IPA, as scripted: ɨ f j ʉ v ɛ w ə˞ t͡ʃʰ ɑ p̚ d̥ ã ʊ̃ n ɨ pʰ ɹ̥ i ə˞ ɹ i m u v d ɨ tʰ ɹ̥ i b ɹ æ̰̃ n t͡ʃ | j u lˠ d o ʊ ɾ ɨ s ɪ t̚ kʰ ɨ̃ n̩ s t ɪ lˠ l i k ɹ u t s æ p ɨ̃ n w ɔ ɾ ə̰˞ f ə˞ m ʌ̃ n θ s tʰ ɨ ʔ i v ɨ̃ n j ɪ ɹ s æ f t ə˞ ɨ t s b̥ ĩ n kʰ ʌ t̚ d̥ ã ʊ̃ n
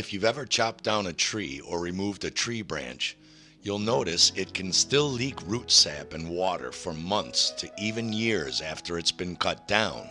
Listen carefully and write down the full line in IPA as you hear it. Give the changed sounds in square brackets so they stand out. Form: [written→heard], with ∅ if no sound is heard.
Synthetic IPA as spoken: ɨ f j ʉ v ɛ [w→v] ə˞ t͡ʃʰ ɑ p̚ d̥ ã ʊ̃ n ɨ [pʰ→tʰ] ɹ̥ i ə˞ ɹ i m u v d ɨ tʰ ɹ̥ i b ɹ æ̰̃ n t͡ʃ | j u lˠ [d→n] o ʊ ɾ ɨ s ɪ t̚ kʰ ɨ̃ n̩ s t ɪ lˠ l i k ɹ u t s æ p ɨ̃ n w ɔ ɾ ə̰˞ f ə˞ m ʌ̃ n θ s tʰ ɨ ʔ i v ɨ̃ n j ɪ ɹ [s→z] æ f t ə˞ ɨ t s b̥ [ĩ→ɨ̃] n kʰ ʌ t̚ d̥ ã ʊ̃ n